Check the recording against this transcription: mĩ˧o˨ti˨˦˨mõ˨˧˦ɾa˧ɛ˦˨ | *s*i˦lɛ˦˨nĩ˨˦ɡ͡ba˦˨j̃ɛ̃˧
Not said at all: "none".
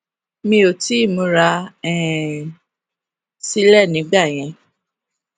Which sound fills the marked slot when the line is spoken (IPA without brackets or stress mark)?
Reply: s